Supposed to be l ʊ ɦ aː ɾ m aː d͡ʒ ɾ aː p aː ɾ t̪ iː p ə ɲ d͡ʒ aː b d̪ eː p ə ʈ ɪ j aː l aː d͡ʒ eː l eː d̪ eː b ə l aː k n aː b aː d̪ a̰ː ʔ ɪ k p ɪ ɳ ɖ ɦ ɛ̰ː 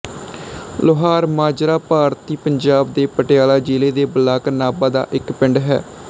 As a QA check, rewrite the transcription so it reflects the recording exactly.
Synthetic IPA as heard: l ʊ ɦ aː ɾ m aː d͡ʒ ɾ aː p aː ɾ t̪ iː p ə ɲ d͡ʒ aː b d̪ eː p ə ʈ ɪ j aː l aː d͡ʒ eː l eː d̪ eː b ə l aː k n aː b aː d̪ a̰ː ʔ ɪ k p ɪ ɳ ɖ ɦ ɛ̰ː